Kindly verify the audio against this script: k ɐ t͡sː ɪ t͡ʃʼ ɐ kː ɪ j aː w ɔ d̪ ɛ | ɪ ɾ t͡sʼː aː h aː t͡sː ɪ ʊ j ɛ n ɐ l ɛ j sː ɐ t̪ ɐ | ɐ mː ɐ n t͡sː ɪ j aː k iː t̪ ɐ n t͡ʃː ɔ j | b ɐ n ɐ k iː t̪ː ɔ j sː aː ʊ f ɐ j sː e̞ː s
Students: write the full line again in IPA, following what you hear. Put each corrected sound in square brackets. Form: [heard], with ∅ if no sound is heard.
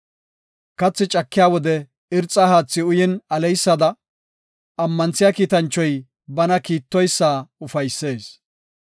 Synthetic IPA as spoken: k ɐ t͡sː ɪ t͡ʃʼ ɐ kː ɪ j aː w ɔ d̪ ɛ | ɪ ɾ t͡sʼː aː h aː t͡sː ɪ ʊ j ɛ n ɐ l ɛ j sː ɐ [d̪] ɐ | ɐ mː ɐ n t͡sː ɪ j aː k iː t̪ ɐ n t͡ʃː ɔ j | b ɐ n ɐ k iː t̪ː ɔ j sː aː ʊ f ɐ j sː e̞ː s